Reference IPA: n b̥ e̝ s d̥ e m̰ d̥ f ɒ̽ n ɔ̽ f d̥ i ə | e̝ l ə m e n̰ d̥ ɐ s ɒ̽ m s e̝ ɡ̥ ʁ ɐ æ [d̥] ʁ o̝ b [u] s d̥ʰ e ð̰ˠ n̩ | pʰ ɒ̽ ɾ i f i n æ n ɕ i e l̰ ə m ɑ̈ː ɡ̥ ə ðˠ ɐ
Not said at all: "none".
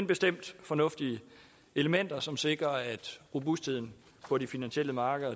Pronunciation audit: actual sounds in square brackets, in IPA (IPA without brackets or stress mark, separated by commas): d̥, u